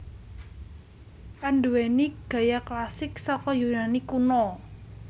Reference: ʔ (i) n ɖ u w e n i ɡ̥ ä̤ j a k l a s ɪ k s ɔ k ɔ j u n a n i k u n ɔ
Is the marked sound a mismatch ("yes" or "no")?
yes